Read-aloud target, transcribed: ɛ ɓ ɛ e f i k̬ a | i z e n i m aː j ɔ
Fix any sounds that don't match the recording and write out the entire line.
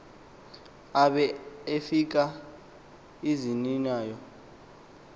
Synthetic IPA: a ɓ ɛ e f i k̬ a | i z i n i n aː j ɔ